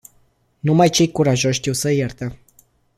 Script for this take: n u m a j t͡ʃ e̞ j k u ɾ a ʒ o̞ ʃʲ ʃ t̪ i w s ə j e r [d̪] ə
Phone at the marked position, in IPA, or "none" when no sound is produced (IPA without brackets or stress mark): t̪